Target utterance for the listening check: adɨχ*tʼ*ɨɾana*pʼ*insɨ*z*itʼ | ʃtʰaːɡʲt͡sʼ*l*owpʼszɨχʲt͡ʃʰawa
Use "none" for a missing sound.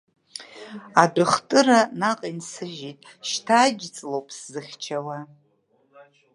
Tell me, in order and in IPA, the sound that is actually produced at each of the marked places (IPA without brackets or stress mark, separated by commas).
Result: tʼ, qʼ, ʒ, l